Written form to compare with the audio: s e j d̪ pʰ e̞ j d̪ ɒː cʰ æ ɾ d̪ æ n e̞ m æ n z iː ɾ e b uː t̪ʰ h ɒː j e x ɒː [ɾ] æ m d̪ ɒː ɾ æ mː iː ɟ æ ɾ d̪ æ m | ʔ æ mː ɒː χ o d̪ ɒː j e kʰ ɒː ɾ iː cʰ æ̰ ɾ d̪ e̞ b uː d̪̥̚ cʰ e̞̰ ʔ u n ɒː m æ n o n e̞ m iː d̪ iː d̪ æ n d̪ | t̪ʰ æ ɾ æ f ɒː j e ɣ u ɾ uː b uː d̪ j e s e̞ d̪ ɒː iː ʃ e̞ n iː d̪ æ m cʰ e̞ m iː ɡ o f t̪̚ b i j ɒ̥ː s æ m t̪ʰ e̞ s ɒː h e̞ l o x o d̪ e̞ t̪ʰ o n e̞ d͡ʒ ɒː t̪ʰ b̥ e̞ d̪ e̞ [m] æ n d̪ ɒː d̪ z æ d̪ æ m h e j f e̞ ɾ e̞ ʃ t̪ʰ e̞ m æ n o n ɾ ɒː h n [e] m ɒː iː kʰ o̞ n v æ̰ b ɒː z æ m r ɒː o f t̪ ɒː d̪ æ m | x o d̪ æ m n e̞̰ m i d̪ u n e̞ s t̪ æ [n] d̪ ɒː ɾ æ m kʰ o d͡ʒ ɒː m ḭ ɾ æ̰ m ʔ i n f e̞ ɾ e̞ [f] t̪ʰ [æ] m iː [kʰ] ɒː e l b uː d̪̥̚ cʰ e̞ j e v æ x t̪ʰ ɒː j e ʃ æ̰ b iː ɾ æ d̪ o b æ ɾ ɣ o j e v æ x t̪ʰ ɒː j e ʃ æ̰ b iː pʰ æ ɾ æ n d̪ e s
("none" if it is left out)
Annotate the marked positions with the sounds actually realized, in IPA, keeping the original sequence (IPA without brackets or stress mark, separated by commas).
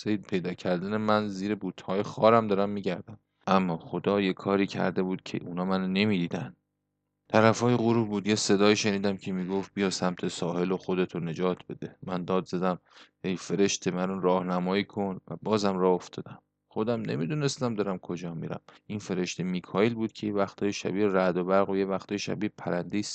ɾ, m, æ, m, ʃ, e, kʰ